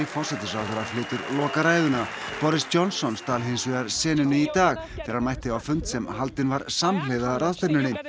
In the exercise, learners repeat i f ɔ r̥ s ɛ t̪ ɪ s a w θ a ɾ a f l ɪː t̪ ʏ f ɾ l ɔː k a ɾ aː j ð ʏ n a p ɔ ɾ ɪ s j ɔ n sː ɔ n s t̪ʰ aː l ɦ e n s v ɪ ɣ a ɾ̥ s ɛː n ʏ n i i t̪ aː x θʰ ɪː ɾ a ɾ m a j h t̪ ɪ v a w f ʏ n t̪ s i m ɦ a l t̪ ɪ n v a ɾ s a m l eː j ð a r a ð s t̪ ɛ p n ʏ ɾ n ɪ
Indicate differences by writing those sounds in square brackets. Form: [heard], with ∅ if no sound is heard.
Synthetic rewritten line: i f ɔ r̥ s ɛ t̪ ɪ s a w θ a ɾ a f l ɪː t̪ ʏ [∅] ɾ l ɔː k a ɾ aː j ð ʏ n a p ɔ ɾ ɪ s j ɔ n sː ɔ n s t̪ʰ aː l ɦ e n s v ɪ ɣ a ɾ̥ s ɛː n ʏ n [ɪ] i t̪ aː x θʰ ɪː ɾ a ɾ m a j h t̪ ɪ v a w f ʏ n t̪ s [ɛ] m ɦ a l t̪ ɪ n v a ɾ s a m l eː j ð a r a ð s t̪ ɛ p n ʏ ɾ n ɪ